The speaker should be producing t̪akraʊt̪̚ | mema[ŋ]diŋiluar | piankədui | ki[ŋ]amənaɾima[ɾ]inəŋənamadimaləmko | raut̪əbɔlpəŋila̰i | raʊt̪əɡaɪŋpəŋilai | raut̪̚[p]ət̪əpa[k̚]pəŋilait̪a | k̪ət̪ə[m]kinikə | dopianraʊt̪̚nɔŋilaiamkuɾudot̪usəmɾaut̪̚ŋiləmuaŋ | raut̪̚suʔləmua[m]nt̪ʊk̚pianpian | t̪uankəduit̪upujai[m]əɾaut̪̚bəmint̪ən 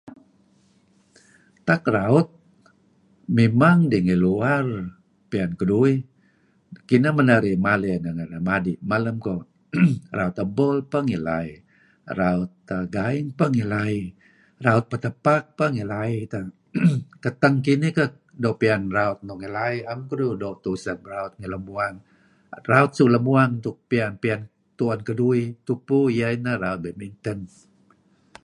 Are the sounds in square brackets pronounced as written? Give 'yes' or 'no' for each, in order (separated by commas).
yes, no, no, yes, yes, no, no, no